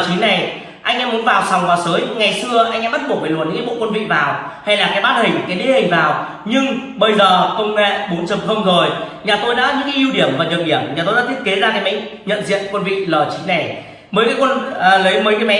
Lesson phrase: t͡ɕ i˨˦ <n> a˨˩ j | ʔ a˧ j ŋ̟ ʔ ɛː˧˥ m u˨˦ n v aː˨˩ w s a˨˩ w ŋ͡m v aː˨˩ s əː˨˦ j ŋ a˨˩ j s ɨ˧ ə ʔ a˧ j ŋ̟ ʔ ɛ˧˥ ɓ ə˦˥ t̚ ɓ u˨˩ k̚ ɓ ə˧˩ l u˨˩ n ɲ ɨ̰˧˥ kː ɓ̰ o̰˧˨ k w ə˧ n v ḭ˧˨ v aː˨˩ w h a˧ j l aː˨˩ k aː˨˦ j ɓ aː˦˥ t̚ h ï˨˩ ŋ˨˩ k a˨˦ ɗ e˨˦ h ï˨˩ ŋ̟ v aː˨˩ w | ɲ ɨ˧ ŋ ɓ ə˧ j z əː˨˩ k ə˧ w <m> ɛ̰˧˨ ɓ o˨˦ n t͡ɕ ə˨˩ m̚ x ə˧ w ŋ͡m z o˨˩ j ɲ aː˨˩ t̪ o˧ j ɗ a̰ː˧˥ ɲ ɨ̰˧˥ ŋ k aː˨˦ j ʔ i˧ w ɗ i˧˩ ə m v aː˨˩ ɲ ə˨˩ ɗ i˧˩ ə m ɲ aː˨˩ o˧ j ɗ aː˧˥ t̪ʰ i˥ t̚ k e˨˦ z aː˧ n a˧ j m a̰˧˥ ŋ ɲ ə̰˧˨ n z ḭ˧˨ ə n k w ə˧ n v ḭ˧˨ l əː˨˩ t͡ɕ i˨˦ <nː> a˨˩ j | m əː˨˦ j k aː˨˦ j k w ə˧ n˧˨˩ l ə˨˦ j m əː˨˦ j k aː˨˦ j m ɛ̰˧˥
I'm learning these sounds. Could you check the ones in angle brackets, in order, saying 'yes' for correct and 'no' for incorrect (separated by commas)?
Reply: yes, no, no